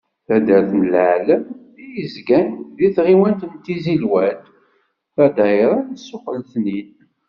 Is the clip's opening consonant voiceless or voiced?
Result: voiceless